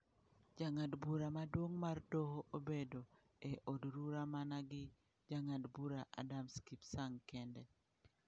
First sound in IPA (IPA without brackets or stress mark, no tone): d͡ʒ